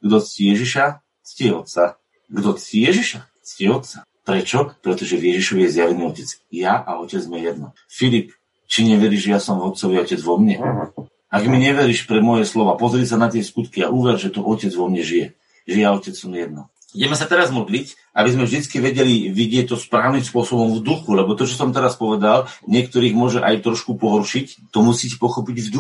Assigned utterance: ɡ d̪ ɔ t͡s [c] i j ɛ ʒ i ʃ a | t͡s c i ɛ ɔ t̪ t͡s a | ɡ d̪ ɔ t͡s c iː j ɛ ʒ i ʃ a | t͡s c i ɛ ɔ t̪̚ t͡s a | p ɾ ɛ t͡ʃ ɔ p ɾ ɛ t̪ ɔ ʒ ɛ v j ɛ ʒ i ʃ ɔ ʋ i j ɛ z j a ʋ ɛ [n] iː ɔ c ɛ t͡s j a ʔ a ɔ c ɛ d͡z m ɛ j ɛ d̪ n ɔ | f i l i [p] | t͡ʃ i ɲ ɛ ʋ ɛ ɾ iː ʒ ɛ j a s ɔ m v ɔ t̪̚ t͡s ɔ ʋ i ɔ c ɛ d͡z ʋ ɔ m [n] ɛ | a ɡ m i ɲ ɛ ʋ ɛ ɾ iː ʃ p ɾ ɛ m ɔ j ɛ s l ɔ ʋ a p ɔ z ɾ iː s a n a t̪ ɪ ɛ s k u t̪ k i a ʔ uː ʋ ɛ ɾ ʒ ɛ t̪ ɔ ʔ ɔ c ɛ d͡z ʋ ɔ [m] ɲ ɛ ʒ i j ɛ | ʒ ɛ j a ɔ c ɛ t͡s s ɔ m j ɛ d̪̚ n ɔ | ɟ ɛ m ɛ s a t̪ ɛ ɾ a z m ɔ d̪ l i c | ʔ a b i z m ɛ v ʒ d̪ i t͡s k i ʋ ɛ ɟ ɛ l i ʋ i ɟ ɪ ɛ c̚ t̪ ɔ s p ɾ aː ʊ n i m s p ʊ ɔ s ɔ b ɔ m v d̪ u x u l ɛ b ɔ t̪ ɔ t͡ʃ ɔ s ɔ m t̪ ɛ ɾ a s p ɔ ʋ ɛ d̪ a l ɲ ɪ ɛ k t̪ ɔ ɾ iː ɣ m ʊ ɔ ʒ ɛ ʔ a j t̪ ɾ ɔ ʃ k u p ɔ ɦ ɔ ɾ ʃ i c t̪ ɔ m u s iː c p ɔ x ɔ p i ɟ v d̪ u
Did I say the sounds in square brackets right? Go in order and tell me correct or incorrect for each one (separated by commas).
correct, correct, correct, incorrect, correct